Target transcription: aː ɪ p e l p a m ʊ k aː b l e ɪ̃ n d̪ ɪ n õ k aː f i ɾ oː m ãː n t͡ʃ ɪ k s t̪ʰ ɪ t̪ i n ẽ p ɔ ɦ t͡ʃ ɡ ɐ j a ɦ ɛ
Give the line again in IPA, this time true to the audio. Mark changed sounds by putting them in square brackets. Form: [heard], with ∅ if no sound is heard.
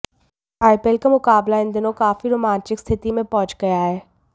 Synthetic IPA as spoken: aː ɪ p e l [k] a m ʊ k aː b l [a] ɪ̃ n d̪ ɪ n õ k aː f i ɾ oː m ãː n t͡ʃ ɪ k s t̪ʰ ɪ t̪ i [m] ẽ p ɔ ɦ t͡ʃ ɡ ɐ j a ɦ [ɛː]